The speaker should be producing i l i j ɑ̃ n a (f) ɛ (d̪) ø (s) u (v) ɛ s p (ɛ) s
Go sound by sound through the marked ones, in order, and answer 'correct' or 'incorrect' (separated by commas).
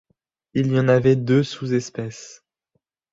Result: incorrect, correct, correct, incorrect, correct